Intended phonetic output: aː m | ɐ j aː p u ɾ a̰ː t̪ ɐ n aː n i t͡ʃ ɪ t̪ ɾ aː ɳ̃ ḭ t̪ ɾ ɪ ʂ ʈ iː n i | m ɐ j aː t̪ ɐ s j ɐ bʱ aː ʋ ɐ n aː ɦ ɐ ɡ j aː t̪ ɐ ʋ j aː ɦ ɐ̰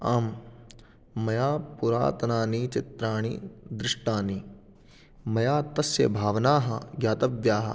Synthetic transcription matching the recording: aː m | ɐ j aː p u ɾ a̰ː t̪ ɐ n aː n i t͡ʃ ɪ t̪ ɾ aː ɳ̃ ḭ d̪ ɾ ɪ ʂ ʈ aː n i | m ɐ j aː t̪ ɐ s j ɐ bʱ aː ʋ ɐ n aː ɦ ɐ ɡ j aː t̪ ɐ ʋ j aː ɦ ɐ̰

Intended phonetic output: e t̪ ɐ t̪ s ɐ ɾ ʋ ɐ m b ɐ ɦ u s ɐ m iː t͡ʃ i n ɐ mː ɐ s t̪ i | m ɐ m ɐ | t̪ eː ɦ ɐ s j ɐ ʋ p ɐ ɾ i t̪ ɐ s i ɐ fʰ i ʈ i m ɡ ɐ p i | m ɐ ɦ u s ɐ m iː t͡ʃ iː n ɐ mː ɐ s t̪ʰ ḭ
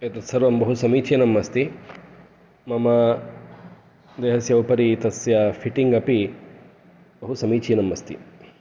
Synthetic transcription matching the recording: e t̪ ɐ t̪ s ɐ ɾ ʋ ɐ m b ɐ ɦ u s ɐ m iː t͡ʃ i n ɐ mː ɐ s t̪ i | m ɐ m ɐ | d̪ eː ɦ ɐ s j ɐ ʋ p ɐ ɾ i t̪ ɐ s j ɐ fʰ i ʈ i ŋ ɡ ɐ p i | b ɐ ɦ u s ɐ m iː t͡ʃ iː n ɐ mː ɐ s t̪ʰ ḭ

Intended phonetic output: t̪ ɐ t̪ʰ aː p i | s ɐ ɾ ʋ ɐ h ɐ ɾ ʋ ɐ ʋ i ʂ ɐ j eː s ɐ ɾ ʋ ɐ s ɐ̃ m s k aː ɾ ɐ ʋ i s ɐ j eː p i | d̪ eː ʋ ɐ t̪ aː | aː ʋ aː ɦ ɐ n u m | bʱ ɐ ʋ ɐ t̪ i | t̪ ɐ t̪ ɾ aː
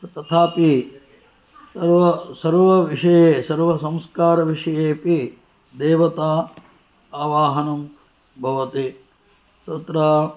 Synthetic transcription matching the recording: t̪ ɐ t̪ʰ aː p i | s ɐ ɾ ʋ ɐ s ɐ ɾ ʋ ɐ ʋ i ʂ ɐ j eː s ɐ ɾ ʋ ɐ s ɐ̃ m s k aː ɾ ɐ ʋ i ʂ ɐ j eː p i | d̪ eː ʋ ɐ t̪ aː | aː ʋ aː ɦ ɐ n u m | bʱ ɐ ʋ ɐ t̪ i | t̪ ɐ t̪ ɾ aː

